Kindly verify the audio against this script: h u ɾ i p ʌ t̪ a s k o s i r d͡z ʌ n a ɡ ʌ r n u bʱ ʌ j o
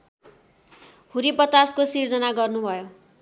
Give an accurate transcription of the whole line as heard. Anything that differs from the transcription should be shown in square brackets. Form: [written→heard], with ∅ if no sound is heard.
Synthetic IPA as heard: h u ɾ i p ʌ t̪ a s k o s i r d͡z ʌ n a ɡ ʌ r n u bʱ ʌ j o